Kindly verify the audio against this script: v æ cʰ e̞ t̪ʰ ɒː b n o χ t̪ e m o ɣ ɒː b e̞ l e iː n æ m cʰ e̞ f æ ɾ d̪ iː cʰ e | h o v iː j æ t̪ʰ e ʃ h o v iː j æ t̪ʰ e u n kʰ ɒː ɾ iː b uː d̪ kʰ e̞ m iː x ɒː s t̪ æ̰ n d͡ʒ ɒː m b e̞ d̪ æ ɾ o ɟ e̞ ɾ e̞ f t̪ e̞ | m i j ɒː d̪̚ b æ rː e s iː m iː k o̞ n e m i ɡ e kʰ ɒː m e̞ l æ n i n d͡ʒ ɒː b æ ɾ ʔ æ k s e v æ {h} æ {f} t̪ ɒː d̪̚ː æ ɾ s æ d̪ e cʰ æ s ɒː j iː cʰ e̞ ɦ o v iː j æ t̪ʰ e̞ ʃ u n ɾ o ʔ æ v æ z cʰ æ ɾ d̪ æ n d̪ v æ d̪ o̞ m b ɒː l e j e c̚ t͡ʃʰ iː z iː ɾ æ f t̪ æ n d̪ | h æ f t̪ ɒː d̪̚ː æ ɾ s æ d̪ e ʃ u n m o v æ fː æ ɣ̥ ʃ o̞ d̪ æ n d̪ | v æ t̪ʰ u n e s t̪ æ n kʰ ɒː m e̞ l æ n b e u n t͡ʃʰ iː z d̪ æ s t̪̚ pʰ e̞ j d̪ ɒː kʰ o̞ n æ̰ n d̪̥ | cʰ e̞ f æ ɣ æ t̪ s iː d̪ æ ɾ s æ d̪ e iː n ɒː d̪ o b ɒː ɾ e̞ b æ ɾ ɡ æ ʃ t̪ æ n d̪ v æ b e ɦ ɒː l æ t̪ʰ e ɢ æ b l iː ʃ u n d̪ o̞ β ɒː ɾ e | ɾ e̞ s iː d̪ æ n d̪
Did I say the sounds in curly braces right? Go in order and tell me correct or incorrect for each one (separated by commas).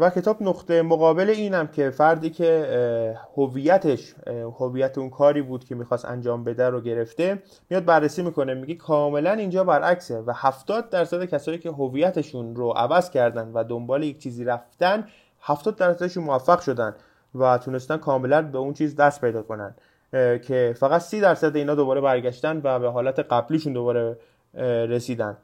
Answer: correct, correct